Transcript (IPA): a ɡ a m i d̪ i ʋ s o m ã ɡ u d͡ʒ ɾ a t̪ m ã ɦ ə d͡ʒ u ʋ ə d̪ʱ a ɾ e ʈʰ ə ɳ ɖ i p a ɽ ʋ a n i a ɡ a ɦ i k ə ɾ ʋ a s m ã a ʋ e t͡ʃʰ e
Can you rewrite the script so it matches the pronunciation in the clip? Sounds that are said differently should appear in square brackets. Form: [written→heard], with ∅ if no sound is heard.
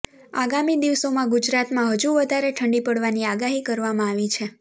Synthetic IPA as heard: a ɡ a m i d̪ i ʋ s o m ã ɡ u d͡ʒ ɾ a t̪ m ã ɦ ə d͡ʒ u ʋ ə d̪ʱ a ɾ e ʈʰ ə ɳ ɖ i p [a→ə] ɽ ʋ a n i a ɡ a ɦ i k ə ɾ ʋ a [s→∅] m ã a ʋ [e→i] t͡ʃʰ e